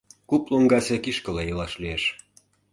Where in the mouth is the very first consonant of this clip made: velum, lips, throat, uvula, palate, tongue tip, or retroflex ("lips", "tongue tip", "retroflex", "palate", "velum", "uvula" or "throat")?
velum